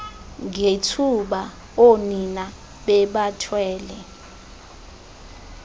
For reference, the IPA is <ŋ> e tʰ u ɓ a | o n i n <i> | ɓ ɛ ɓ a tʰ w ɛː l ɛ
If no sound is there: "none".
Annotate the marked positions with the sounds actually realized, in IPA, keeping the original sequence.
ŋ, a

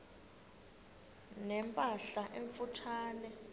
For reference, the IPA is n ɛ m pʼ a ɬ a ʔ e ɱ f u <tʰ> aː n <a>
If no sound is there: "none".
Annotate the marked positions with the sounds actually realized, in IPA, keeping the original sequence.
tʰ, ɛ

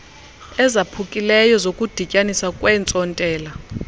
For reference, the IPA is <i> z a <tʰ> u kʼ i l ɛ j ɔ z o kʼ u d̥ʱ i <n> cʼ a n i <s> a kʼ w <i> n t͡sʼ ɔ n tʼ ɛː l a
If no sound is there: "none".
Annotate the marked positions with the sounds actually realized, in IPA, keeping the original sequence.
ɛ, pʰ, none, s, ɛ

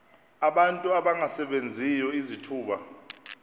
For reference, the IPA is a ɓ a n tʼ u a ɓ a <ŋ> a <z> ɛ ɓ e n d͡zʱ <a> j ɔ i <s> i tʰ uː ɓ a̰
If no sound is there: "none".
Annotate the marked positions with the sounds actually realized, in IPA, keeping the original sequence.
ŋ, s, i, z

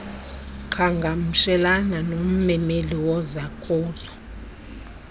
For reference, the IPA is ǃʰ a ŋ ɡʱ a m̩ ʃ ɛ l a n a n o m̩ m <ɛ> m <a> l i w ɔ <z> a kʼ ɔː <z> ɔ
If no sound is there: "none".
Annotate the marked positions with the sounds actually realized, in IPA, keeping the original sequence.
ɛ, e, z, z

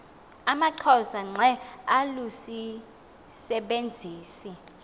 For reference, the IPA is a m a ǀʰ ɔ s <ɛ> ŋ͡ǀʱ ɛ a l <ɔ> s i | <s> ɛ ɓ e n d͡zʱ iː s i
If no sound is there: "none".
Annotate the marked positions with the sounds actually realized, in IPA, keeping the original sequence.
a, u, s

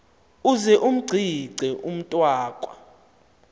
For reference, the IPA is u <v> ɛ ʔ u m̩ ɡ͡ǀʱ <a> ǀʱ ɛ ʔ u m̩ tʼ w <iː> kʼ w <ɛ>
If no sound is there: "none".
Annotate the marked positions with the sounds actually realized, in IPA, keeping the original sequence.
z, i, aː, a

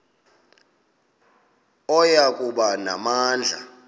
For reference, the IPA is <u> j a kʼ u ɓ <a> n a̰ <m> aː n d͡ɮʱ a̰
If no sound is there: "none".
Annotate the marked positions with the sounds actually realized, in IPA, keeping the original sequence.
ɔ, a, m

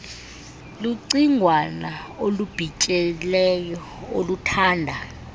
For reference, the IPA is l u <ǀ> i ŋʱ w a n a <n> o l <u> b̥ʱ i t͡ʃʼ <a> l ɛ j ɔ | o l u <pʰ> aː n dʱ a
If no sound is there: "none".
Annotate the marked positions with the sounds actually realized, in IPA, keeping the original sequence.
ǀ, none, u, ɛ, tʰ

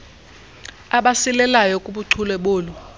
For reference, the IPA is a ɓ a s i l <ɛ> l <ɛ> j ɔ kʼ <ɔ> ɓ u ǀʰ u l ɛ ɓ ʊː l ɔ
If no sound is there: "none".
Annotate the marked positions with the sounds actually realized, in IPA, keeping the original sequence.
ɛ, a, u

